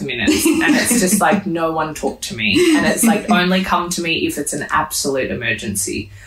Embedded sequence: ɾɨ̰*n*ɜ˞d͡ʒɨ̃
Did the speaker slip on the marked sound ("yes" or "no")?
yes